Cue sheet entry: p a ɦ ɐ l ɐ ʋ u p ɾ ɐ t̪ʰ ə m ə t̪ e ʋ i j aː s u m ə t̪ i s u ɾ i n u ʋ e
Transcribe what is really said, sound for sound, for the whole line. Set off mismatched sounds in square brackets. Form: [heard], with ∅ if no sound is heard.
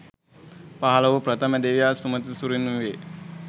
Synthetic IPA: p a ɦ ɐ l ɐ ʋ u p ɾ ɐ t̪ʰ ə m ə [d̪] e ʋ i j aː s u m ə t̪ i s u ɾ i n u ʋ e